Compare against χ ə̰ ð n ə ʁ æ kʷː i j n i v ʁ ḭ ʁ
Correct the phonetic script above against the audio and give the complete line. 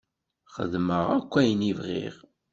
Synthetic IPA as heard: χ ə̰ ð m ə ʁ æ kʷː æ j n i v ʁ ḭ ʁ

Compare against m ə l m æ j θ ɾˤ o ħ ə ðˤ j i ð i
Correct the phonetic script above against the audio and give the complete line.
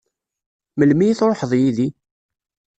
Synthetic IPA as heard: m ə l m i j θ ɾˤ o ħ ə ðˤ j i ð i

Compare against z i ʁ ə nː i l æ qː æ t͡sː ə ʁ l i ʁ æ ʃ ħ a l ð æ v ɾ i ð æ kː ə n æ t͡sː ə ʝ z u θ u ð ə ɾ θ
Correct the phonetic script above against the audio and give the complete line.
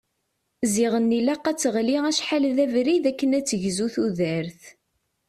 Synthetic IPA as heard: z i ʁ ə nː i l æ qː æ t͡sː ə ʁ l i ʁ æ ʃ ħ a l ð æ v ɾ i ð æ kː ə n æ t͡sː ə ʝ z u θ u ð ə ɾ θ

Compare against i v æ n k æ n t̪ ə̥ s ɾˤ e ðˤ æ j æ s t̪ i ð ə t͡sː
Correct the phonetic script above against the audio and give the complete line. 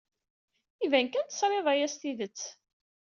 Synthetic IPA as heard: i v æ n k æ n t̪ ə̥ s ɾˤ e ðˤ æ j æ s t̪ i ð ə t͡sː

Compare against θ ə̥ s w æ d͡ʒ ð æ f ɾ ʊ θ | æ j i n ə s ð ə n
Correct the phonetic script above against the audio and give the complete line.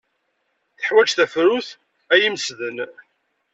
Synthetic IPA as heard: θ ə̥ ħ w æ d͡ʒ θ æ f ɾ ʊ θ | æ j i m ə s ð ə n

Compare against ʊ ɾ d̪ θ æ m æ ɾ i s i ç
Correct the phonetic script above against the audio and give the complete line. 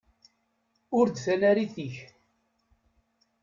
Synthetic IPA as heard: ʊ ɾ d̪ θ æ n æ ɾ i θ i ç

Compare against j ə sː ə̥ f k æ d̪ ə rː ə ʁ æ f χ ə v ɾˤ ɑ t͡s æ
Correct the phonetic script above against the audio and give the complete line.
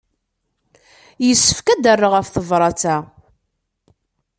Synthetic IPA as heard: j ə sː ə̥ f k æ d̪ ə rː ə ʁ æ f θ ə v ɾˤ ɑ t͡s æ

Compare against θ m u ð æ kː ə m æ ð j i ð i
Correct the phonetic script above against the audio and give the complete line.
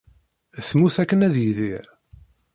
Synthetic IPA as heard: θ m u θ æ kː ə n æ ð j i ð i

